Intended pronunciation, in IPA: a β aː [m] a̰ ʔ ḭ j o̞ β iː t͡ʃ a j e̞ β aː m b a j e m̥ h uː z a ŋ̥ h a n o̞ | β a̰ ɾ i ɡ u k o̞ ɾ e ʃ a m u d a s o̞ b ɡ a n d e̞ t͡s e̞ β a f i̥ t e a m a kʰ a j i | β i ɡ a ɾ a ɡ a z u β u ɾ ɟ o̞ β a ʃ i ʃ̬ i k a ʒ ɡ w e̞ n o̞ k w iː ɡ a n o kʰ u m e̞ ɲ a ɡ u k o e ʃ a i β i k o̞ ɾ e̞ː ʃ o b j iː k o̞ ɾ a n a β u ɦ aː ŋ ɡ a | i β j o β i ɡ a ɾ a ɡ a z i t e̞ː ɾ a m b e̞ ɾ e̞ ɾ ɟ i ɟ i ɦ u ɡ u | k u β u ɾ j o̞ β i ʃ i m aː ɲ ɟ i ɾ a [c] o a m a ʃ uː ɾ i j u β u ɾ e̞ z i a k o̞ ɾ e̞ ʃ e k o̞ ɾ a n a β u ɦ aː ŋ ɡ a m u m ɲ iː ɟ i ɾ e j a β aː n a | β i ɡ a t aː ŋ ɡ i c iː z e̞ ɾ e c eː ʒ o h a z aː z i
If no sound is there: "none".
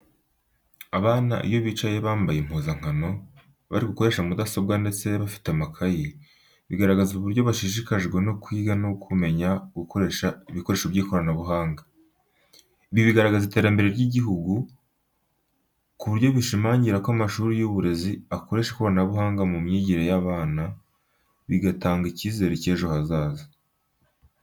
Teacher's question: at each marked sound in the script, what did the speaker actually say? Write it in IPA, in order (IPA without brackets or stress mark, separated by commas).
n, k